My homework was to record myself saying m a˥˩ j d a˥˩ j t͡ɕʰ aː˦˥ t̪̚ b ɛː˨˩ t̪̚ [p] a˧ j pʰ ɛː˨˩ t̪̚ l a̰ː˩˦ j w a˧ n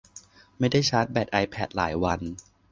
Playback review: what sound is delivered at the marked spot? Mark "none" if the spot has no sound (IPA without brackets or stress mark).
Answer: ʔ